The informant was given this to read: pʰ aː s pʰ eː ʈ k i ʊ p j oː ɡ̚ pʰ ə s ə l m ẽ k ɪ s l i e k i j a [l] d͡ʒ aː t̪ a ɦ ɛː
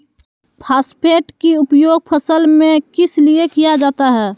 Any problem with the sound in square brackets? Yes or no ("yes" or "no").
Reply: yes